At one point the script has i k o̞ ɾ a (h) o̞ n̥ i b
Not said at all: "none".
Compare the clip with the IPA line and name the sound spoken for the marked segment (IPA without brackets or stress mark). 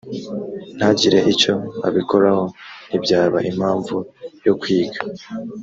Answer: h